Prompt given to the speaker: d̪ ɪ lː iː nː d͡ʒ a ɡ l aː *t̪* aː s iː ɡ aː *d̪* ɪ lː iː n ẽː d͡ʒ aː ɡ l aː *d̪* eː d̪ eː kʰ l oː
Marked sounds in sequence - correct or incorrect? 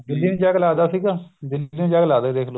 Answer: incorrect, correct, correct

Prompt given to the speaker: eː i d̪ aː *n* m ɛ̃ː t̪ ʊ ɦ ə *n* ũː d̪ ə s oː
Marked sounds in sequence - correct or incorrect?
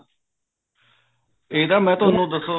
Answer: incorrect, correct

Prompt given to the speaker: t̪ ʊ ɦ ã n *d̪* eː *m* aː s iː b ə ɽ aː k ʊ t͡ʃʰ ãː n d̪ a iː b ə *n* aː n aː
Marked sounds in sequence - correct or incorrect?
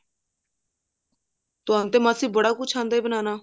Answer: incorrect, correct, correct

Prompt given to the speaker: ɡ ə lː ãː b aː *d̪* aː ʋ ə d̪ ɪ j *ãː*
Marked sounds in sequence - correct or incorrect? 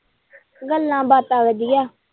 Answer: incorrect, incorrect

